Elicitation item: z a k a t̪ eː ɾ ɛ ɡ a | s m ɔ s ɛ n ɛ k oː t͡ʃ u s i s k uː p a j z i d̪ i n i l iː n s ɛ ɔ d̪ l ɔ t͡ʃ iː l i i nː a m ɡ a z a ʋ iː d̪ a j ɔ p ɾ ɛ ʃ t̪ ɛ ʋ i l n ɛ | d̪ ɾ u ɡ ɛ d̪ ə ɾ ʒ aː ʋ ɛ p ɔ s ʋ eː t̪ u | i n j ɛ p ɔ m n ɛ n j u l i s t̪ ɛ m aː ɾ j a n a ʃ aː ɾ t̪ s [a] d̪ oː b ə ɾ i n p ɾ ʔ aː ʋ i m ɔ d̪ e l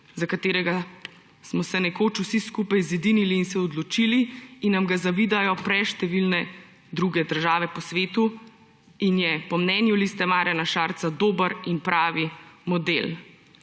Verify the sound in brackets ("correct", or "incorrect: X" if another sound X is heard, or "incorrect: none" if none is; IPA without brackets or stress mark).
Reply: correct